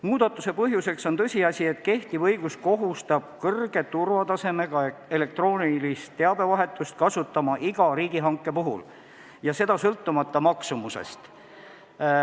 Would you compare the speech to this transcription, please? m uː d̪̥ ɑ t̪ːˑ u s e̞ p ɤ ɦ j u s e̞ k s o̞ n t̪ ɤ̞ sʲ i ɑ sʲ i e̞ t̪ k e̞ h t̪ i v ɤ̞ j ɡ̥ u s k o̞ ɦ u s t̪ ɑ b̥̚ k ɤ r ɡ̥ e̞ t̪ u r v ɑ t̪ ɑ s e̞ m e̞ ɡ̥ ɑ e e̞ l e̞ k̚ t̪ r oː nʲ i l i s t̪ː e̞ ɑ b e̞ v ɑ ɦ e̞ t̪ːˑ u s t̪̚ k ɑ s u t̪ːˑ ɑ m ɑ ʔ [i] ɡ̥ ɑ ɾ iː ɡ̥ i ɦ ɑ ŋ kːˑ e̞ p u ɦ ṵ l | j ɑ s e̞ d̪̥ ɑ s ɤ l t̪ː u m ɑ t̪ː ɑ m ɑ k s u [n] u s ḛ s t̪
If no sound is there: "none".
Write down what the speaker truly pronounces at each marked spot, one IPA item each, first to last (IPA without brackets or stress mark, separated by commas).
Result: i, m